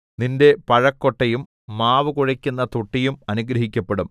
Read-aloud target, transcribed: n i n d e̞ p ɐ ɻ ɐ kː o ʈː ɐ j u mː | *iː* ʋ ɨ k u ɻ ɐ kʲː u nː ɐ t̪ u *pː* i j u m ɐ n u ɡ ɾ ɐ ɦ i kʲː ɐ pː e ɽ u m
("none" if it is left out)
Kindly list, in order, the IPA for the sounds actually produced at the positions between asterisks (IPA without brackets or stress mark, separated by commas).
aː, ʈː